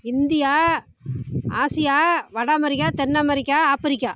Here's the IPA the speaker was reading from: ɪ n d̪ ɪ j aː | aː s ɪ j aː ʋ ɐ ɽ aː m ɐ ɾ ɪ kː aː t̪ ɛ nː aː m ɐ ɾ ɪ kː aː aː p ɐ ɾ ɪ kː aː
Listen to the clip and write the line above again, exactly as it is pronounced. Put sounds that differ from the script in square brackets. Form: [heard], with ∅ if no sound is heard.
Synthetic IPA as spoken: ɪ n d̪ ɪ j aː | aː s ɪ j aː ʋ ɐ ɽ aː m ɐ ɾ ɪ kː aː t̪ ɛ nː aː m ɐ ɾ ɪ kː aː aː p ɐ ɾ ɪ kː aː